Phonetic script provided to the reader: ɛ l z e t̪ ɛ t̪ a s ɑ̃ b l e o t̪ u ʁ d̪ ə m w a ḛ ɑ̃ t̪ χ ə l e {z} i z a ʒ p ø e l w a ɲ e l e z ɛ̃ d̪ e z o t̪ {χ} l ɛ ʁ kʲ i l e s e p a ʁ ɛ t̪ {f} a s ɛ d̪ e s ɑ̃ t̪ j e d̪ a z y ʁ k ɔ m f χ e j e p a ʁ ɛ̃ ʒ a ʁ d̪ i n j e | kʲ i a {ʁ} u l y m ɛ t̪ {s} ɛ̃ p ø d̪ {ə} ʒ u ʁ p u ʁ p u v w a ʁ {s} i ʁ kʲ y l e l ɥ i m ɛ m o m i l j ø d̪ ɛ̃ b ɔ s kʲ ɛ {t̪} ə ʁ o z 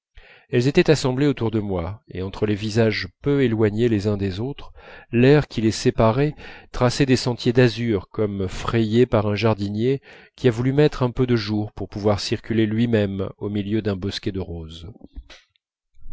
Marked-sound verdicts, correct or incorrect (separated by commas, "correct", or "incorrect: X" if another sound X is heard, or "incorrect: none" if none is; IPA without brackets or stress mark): incorrect: v, correct, incorrect: χ, incorrect: v, incorrect: χ, correct, correct, incorrect: d̪